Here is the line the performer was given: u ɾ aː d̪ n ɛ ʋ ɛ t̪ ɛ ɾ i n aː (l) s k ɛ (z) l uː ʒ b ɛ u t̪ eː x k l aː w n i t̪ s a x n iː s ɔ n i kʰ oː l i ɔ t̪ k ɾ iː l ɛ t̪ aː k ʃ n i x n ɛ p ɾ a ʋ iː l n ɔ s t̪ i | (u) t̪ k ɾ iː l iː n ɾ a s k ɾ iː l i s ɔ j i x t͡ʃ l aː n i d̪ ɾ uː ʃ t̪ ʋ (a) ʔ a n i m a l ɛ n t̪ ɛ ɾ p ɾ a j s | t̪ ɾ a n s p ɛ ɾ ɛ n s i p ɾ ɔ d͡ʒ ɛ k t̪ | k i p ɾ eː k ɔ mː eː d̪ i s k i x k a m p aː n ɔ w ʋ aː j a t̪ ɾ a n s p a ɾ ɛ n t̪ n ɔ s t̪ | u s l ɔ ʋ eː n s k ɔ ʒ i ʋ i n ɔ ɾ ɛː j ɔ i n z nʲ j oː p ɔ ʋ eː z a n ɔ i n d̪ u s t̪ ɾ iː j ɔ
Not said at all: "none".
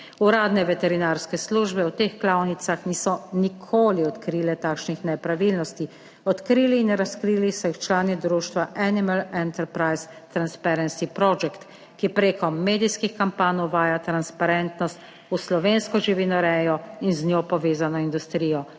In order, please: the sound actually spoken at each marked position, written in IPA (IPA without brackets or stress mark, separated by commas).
ɾ, s, ɔ, a